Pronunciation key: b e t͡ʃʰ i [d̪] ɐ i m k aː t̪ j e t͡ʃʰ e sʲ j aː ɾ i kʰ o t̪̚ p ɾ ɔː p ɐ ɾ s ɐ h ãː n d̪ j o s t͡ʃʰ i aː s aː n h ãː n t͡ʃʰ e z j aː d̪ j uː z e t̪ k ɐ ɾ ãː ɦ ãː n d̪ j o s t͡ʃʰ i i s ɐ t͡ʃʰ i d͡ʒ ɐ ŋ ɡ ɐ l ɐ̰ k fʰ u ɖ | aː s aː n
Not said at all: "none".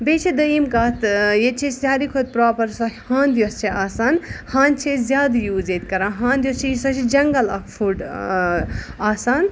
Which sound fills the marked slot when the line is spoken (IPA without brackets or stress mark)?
d̪